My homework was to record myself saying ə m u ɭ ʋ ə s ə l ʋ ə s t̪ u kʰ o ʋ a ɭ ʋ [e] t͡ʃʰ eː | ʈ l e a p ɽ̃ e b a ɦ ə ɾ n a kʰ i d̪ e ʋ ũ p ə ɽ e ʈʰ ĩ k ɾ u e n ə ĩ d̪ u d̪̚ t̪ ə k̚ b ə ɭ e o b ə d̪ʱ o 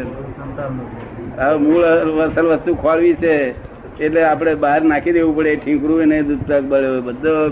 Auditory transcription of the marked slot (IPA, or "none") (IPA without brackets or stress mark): i